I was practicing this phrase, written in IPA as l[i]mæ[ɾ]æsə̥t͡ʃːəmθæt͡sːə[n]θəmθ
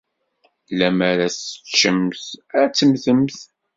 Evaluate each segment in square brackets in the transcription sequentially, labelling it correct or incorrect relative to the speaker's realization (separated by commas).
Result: incorrect, correct, incorrect